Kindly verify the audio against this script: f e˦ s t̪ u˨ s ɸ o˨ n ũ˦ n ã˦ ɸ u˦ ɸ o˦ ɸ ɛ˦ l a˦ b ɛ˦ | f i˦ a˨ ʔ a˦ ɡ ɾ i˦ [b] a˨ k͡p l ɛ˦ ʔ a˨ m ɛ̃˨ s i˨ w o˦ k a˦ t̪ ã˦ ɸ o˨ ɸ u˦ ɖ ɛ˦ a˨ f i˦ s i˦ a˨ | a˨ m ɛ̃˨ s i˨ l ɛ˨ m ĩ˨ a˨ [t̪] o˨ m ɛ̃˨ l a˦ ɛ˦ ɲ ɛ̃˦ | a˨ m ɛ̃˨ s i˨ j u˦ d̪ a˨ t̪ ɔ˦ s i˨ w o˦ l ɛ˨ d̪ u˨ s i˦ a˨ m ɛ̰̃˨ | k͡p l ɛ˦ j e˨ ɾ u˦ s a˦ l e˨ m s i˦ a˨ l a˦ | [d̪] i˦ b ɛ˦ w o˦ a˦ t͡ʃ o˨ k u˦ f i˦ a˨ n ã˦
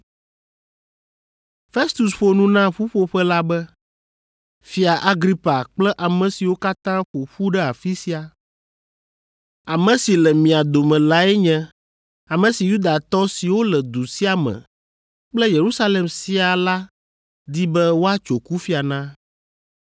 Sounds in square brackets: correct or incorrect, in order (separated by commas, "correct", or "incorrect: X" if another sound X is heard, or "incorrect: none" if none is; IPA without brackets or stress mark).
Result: incorrect: p, incorrect: d̪, correct